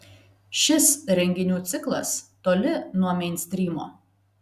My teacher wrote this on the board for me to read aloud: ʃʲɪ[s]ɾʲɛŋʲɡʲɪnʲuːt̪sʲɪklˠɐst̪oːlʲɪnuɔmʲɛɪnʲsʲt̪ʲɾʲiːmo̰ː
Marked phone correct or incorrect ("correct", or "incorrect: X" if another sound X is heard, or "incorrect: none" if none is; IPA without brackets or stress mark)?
correct